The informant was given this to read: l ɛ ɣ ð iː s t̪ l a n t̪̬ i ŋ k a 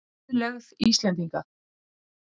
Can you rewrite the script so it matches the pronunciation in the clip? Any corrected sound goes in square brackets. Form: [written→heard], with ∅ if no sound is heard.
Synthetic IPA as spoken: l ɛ ɣ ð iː s t̪ l [a→ɛ] n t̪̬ i ŋ k a